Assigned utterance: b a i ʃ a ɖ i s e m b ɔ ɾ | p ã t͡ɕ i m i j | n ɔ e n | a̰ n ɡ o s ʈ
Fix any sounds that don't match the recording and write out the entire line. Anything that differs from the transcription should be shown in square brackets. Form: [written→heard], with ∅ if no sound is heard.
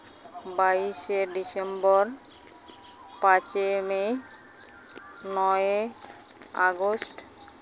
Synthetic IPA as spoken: b a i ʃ [a→e] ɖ i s e m b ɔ ɾ | p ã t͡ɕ [i→e] m [i→e] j | n ɔ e [n→∅] | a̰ [n→∅] ɡ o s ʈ